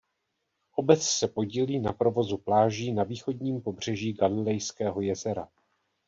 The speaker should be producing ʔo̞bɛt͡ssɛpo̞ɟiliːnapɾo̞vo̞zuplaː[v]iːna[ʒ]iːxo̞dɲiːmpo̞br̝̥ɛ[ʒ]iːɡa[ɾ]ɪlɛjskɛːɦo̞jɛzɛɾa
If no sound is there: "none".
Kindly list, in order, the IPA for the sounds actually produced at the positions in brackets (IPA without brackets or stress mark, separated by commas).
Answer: ʒ, v, ʒ, l